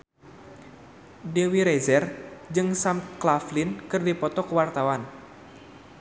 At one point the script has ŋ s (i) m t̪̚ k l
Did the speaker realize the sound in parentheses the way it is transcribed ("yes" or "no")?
no